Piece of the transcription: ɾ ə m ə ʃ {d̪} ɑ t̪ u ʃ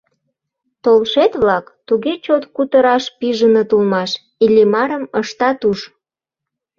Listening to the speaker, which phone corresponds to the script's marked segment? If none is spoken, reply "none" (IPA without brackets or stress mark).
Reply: t̪